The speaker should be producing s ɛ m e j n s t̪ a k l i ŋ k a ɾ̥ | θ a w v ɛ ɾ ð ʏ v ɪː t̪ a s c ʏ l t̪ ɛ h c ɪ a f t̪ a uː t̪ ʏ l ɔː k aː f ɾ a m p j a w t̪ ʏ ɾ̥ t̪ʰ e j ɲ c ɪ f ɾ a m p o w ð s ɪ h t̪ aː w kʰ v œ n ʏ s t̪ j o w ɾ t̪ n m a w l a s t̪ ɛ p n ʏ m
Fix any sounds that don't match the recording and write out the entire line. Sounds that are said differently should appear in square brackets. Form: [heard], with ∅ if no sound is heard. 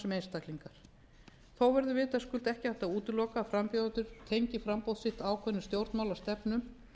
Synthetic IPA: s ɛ m e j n s t̪ a k l i ŋ k a ɾ̥ | θ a w v ɛ ɾ ð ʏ v ɪː t̪ a s [k] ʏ l t̪ ɛ h c ɪ a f t̪ a uː t̪ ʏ l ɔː k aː f ɾ a m p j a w t̪ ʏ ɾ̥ t̪ʰ e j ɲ c ɪ f ɾ a m p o w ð s ɪ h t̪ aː w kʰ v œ n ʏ s t̪ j o w ɾ t̪ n m a w l a s t̪ ɛ p n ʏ m